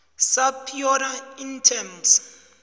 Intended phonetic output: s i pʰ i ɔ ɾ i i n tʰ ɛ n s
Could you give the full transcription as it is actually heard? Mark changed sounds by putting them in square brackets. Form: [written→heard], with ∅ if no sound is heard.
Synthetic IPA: s [i→a] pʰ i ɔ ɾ [i→a] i n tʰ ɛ [n→m] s